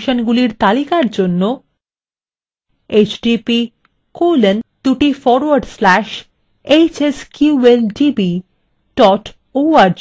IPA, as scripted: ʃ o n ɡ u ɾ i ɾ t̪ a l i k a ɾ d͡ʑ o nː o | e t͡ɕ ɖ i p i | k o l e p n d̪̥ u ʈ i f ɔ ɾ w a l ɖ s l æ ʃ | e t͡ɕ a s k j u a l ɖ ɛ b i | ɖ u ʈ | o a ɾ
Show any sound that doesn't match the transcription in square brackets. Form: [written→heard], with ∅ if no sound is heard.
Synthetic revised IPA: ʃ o n ɡ u [ɾ→l] i ɾ t̪ a l i k a ɾ d͡ʑ o nː o | e t͡ɕ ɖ i p i | k o l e [p→∅] n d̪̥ u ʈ i f ɔ ɾ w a [l→ɾ] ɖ s l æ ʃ | e t͡ɕ [a→e] s k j u [a→e] l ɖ [ɛ→i] b i | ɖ [u→ɔ] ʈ | o a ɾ